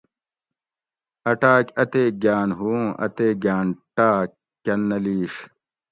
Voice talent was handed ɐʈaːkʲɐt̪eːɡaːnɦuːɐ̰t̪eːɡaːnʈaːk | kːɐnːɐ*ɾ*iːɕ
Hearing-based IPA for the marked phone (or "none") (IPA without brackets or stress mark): l